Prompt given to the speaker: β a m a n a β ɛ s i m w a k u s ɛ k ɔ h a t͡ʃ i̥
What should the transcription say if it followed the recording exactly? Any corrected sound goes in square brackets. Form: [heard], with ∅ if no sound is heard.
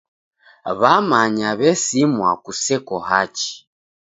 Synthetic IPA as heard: β a m a [ɲ] a β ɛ s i m w a k u s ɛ k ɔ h a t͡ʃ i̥